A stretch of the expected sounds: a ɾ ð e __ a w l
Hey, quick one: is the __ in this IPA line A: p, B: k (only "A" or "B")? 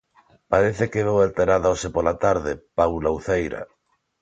A